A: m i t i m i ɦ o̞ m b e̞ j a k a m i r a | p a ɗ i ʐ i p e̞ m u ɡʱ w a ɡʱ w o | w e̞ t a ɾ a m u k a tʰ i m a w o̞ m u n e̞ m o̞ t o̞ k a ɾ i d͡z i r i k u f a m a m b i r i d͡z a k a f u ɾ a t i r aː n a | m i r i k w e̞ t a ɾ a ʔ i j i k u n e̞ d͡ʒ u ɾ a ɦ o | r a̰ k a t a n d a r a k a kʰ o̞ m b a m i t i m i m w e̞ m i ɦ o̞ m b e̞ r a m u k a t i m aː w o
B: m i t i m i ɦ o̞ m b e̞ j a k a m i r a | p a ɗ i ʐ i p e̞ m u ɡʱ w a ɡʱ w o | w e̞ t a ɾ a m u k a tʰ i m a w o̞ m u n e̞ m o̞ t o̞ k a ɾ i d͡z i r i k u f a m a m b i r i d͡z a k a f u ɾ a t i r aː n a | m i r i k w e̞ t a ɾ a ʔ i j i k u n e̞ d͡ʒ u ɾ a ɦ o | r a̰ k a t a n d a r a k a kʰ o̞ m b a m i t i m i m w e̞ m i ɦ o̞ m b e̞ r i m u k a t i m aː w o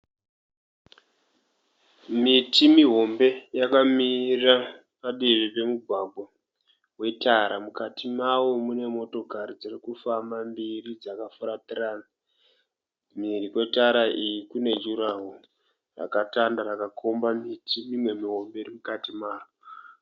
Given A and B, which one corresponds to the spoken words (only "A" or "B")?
B